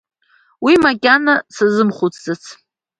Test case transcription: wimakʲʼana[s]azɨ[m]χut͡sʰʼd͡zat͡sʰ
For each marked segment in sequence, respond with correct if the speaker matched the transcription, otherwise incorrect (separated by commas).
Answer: correct, correct